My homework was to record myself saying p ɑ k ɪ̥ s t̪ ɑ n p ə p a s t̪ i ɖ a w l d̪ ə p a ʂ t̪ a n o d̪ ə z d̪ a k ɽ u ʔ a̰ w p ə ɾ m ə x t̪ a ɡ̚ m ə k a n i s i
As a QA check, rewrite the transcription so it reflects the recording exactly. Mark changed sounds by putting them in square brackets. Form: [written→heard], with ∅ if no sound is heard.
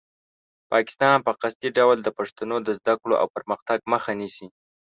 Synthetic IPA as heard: p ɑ k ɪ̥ s t̪ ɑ n p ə [p→q] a s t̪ i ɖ a w l d̪ ə p a ʂ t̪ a n o d̪ ə z d̪ a k ɽ [u→o] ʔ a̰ w p ə ɾ m ə x t̪ a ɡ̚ m ə [k→x] a n i s i